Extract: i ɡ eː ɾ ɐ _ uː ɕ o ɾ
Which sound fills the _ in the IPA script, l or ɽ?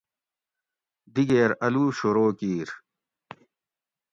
l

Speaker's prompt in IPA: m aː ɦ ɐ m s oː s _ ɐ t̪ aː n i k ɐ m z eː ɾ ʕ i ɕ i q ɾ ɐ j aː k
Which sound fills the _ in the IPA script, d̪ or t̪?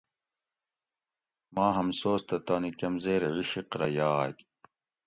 t̪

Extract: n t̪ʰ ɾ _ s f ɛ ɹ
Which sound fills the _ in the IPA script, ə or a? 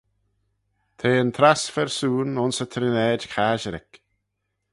a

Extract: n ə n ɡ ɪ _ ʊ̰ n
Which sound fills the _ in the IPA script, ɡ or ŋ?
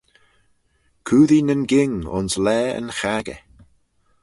ŋ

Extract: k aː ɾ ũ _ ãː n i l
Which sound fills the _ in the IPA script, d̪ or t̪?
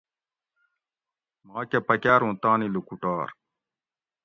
t̪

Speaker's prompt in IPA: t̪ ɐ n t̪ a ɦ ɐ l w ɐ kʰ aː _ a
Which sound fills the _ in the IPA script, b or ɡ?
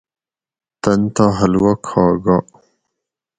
ɡ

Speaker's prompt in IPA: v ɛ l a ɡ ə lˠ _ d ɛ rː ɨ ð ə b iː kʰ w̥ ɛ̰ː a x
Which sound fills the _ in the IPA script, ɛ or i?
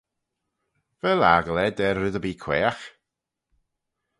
ɛ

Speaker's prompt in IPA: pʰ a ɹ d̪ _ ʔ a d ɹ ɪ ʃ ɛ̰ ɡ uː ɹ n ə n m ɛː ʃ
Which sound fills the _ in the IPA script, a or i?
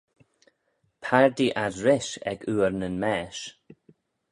i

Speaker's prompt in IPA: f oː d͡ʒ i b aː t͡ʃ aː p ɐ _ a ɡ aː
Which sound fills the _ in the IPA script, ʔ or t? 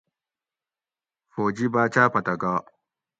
t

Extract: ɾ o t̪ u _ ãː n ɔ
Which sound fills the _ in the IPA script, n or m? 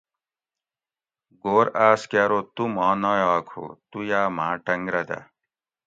m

